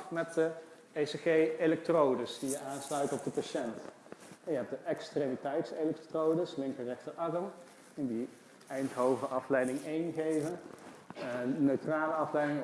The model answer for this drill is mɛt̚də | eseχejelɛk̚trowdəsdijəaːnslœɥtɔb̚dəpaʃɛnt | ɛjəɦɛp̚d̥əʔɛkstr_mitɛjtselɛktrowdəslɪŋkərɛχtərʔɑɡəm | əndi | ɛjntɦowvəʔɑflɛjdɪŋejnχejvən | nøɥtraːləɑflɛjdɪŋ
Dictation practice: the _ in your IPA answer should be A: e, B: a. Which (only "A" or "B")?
A